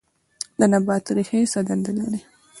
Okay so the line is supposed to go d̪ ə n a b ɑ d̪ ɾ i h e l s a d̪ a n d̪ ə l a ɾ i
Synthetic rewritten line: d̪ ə n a b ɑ t̪ ɾ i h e s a d̪ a n d̪ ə l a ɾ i